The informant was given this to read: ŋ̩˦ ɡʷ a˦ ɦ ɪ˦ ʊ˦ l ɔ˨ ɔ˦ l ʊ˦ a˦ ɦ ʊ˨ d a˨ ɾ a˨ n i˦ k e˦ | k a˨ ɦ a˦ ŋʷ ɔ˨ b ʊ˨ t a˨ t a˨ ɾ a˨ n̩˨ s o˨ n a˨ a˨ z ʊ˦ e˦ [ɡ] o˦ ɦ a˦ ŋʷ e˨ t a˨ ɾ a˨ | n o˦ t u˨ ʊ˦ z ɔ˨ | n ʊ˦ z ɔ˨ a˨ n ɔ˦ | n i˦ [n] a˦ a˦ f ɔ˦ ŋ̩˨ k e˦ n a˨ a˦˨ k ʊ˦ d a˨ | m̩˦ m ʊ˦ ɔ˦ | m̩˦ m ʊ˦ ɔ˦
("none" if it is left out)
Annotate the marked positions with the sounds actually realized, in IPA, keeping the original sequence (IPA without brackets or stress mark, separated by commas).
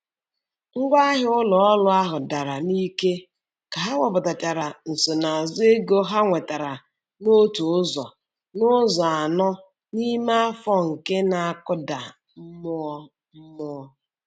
ɡ, m